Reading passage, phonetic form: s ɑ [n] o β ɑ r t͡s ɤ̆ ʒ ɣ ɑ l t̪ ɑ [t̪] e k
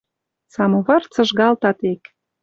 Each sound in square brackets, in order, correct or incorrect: incorrect, correct

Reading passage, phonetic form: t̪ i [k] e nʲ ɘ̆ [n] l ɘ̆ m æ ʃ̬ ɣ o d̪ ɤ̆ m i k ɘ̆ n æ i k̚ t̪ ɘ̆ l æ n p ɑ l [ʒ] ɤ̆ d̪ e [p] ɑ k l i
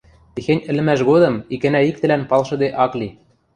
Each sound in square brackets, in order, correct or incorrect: incorrect, incorrect, incorrect, incorrect

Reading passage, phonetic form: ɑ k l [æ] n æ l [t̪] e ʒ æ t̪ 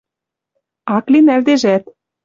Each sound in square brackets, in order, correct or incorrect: incorrect, incorrect

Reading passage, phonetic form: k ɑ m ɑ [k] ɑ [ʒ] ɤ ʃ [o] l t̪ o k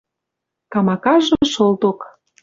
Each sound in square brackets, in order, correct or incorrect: correct, correct, correct

